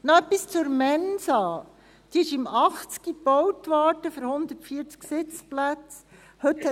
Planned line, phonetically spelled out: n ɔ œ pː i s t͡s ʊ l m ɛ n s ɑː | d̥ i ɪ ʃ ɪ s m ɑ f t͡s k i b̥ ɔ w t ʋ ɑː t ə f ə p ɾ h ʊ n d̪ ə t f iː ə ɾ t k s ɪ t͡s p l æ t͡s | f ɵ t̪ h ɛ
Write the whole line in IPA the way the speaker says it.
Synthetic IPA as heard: n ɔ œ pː i s t͡s ʊ ɾ m ɛ n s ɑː | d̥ i ɪ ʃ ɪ m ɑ χ t͡s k i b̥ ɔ w t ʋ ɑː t ə f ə ɾ h ʊ n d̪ ə t f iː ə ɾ t͡s k s ɪ t͡s p l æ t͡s | h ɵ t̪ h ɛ